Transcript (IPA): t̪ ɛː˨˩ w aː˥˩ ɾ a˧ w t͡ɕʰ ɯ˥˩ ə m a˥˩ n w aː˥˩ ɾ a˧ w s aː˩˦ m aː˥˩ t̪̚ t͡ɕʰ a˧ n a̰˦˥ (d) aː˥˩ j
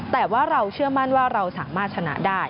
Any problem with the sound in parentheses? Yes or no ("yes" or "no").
no